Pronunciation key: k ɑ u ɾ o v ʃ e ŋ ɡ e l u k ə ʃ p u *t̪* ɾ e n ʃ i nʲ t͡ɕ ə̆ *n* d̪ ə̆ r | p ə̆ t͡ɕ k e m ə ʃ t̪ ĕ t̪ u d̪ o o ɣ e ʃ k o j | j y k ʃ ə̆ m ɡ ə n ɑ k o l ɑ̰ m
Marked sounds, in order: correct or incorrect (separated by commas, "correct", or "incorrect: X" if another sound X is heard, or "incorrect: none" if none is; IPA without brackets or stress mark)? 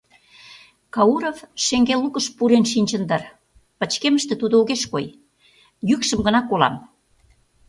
incorrect: none, correct